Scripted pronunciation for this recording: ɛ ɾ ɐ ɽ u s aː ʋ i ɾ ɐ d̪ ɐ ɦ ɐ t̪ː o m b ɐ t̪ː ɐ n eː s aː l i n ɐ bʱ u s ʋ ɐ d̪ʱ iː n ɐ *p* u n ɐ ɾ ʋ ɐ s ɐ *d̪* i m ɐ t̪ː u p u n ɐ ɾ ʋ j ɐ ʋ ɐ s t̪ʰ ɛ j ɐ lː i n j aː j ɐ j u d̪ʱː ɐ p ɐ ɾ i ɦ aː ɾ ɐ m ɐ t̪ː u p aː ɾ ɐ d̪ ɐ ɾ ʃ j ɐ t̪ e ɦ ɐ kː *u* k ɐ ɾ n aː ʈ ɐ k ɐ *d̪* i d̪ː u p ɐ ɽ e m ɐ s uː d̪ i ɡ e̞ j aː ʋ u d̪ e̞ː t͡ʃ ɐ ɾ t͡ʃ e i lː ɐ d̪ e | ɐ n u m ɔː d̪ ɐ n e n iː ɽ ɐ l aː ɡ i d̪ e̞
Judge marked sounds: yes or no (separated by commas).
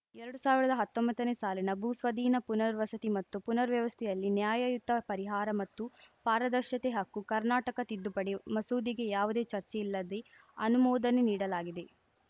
yes, no, yes, no